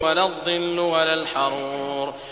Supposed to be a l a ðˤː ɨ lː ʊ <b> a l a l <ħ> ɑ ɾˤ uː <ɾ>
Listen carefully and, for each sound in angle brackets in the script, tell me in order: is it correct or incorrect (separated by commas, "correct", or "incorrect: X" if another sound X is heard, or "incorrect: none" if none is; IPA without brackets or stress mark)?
incorrect: w, correct, correct